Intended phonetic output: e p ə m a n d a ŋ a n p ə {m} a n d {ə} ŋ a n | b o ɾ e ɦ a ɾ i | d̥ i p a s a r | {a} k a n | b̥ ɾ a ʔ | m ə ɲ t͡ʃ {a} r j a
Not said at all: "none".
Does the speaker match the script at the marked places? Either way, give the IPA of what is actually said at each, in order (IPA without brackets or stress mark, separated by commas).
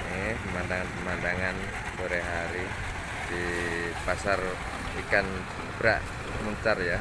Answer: m, a, i, a